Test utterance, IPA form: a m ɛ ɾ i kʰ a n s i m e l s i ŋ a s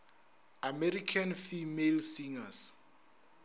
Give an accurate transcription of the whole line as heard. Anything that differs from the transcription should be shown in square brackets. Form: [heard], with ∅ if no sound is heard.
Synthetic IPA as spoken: a m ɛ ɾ i kʰ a n [f] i m e l s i ŋ a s